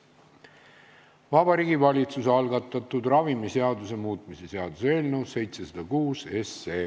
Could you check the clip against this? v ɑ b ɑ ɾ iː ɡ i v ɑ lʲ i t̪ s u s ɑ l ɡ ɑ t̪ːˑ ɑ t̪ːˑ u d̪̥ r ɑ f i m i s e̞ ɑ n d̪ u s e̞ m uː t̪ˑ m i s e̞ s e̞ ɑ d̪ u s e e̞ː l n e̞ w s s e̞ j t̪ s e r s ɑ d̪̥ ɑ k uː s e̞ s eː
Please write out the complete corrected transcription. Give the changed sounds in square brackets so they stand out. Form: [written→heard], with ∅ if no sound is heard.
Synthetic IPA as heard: v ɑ b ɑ ɾ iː ɡ i v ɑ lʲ i t̪ s u s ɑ l ɡ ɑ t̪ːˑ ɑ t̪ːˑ u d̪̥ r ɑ [f→v] i m i s e̞ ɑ [n→∅] d̪ u s e̞ m uː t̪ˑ m i s e̞ s e̞ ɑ d̪ u s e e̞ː l n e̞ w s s e̞ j t̪ s e [r→∅] s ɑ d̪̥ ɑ k uː s e̞ s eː